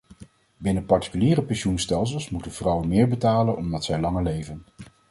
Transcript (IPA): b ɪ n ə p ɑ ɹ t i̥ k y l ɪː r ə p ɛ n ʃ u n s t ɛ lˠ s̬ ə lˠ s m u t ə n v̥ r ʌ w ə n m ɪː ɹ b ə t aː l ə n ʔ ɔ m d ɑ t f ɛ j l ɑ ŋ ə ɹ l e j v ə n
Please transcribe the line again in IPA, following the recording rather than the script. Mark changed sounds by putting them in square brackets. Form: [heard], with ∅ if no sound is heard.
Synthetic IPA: b ɪ n ə p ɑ ɹ t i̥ k y l [iː] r ə p ɛ n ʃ u n s t ɛ lˠ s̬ ə lˠ s m u t ə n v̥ r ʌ w ə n m ɪː ɹ b ə t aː l ə n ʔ ɔ m d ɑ t [s] ɛ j l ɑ ŋ ə ɹ l e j v ə n